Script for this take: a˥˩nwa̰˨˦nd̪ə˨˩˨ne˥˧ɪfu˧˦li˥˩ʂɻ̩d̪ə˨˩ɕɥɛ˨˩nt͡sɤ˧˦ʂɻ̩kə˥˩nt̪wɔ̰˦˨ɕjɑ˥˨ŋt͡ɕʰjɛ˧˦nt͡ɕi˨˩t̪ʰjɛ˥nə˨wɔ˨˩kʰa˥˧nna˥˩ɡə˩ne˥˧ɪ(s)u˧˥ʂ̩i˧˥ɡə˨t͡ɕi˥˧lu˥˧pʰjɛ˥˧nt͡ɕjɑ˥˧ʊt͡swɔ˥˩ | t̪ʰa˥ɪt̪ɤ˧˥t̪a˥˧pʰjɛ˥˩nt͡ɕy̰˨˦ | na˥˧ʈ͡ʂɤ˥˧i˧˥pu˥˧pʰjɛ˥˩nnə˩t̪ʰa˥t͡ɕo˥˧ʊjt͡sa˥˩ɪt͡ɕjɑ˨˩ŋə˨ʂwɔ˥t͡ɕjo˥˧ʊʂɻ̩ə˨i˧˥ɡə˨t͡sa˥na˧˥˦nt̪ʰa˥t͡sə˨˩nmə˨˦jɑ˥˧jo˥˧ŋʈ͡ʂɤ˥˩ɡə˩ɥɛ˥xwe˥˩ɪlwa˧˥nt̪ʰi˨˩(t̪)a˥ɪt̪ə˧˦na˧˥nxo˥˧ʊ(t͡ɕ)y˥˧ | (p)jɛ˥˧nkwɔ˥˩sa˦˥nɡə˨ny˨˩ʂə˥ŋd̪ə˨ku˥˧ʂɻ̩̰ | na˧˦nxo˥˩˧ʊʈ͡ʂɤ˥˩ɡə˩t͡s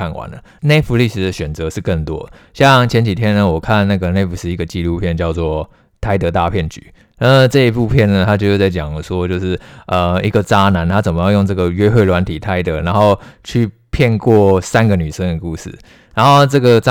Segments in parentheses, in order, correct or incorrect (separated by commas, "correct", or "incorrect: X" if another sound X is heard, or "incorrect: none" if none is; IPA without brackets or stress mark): incorrect: f, incorrect: t̪ʰ, incorrect: t͡ɕʰ, incorrect: pʰ